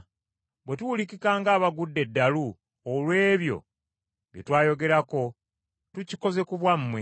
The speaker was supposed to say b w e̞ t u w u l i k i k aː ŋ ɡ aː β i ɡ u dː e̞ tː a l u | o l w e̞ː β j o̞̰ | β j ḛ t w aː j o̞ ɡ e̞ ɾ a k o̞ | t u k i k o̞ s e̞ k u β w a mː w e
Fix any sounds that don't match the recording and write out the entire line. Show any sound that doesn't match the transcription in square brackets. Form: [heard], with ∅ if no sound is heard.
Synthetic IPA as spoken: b w e̞ t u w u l i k i k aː ŋ ɡ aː β [a] ɡ u dː e̞ [dː] a l u | o l w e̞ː β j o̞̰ | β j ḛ t w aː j o̞ ɡ e̞ ɾ a k o̞ | t u [c] i k o̞ [z] e̞ k u β w a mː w e